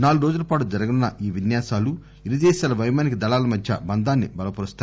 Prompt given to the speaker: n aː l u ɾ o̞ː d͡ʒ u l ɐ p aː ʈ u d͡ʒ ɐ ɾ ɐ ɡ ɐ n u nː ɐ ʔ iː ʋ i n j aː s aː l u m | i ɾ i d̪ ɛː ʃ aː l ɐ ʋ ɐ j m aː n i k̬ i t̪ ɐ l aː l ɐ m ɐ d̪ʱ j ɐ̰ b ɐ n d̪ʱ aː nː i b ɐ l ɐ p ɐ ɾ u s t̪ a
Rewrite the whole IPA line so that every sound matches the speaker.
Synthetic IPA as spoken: n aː l u ɾ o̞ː d͡ʒ u l ɐ p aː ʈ u d͡ʒ ɐ ɾ ɐ ɡ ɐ n u nː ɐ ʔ iː ʋ i n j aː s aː l u | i ɾ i d̪ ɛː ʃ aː l ɐ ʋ ɐ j m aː n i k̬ i d̪ ɐ l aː l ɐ m ɐ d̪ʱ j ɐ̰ b ɐ n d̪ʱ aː nː i b ɐ l ɐ p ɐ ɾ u s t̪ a